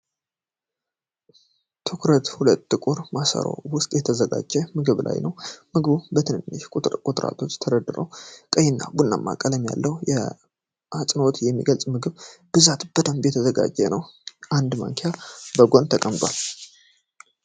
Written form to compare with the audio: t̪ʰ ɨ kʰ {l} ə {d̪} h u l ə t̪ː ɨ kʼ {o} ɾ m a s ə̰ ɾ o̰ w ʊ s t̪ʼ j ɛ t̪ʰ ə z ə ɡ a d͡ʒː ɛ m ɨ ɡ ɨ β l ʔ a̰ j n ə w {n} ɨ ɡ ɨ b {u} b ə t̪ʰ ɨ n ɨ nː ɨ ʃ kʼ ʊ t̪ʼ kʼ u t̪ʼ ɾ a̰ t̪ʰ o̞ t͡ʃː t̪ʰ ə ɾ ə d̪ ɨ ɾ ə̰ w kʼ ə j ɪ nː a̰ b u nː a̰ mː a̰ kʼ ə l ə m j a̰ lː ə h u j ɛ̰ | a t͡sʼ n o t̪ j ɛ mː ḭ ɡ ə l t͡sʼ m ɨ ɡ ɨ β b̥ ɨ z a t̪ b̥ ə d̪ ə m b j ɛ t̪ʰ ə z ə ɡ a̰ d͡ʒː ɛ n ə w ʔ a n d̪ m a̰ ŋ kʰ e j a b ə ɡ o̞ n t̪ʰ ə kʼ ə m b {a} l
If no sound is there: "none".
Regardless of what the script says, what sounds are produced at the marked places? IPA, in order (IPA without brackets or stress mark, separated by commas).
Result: ɾ, t̪, u, m, u, a